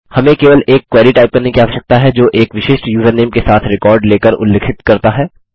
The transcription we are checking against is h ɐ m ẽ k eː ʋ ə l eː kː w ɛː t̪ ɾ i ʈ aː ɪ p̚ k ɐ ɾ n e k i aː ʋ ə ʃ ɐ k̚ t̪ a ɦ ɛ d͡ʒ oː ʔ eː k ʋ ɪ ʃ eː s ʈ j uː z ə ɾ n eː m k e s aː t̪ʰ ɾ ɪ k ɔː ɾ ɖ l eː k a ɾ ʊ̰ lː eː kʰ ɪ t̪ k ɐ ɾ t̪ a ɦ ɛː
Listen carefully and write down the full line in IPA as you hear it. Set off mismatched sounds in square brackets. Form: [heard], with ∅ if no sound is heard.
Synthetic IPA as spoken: h ɐ m ẽ k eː ʋ ə l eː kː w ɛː [∅] ɾ i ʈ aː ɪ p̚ k ɐ ɾ n e k i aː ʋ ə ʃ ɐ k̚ t̪ a ɦ ɛ d͡ʒ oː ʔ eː k ʋ ɪ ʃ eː [ʃ] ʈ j uː z ə ɾ n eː m k e s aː t̪ʰ ɾ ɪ k ɔː ɾ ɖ l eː k [ə] ɾ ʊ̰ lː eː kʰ ɪ t̪ k ɐ ɾ t̪ a ɦ ɛː